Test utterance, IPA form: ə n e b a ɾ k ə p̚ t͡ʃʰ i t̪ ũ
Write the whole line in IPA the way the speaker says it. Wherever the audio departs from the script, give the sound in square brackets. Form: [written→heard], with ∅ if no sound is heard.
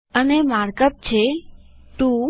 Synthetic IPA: ə n e [b→m] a ɾ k ə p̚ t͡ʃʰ [i→e] t̪ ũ